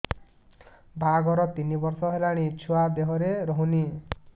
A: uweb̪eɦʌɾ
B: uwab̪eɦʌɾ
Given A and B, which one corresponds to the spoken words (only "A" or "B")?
B